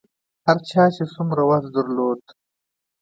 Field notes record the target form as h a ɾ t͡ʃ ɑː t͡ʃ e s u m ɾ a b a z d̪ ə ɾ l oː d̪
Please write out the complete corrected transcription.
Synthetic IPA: h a ɾ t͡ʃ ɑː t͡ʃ e s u m ɾ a w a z d̪ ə ɾ l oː d̪

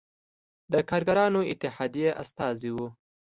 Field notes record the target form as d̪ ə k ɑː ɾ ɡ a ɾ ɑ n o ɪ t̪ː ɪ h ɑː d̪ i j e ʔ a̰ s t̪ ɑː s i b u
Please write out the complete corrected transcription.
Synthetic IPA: d̪ ə k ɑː ɾ ɡ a ɾ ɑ n o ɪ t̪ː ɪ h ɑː d̪ i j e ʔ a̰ s t̪ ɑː z i w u

